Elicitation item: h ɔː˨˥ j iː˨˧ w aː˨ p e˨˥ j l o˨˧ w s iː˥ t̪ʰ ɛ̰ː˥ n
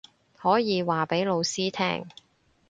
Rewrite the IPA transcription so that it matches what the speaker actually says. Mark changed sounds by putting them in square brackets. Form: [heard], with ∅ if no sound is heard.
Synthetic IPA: h ɔː˨˥ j iː˨˧ w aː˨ p e˨˥ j l o˨˧ w s iː˥ t̪ʰ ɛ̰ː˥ [ŋ]